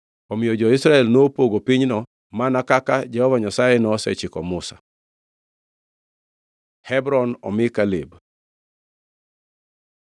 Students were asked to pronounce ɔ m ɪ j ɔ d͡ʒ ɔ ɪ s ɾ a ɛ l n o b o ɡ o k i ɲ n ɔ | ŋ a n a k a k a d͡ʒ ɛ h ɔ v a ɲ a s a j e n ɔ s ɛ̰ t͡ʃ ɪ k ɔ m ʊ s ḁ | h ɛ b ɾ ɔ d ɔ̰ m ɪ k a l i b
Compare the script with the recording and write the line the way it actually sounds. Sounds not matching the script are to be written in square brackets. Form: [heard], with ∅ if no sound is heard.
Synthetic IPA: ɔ m ɪ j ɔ d͡ʒ ɔ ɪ s ɾ a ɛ l n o [p] o ɡ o [p] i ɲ n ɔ | [m] a n a k a k a d͡ʒ ɛ h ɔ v a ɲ a s a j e n ɔ s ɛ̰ t͡ʃ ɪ k ɔ m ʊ s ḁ | h ɛ b ɾ ɔ [n] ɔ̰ m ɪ k a l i b